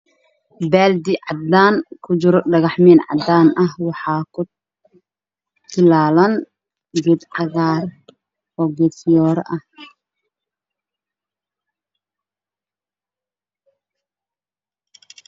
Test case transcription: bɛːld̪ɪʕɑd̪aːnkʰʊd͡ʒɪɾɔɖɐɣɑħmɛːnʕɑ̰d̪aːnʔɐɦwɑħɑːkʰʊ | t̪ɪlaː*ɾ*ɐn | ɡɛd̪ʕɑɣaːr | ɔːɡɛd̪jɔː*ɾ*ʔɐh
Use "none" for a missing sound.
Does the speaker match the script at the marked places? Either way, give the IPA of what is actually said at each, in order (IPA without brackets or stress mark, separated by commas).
l, ɾ